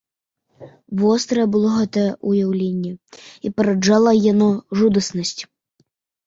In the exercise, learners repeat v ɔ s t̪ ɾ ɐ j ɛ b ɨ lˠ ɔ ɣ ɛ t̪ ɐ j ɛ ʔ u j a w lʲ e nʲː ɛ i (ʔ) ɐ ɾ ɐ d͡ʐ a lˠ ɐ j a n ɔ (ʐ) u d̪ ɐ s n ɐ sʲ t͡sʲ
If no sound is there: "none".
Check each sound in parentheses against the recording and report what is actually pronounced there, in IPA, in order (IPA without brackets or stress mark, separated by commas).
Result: p, ʐ